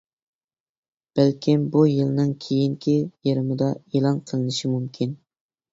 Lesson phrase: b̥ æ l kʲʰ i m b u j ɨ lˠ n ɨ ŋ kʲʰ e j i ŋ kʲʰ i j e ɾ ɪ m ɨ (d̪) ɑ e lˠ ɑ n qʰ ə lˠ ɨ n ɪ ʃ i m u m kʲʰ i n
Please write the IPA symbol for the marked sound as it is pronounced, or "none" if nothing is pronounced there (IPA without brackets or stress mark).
d̪